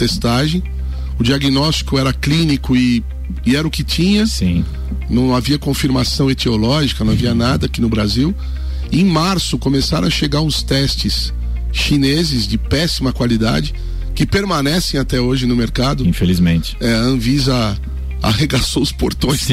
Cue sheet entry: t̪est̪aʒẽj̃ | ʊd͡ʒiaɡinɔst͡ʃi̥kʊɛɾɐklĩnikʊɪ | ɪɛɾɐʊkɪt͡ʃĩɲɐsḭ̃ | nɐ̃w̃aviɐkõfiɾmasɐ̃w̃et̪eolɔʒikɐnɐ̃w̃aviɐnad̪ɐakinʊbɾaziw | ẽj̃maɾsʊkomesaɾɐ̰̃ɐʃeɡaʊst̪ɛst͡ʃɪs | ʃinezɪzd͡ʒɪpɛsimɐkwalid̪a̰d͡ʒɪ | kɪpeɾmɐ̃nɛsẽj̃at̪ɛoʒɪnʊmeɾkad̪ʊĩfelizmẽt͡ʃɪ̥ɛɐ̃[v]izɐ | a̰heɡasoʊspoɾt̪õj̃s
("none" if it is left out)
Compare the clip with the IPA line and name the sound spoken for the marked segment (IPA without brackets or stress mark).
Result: v